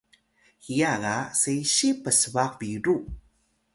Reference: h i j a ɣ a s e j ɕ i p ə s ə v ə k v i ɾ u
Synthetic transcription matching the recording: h i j a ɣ a s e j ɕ i p ə s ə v a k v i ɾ u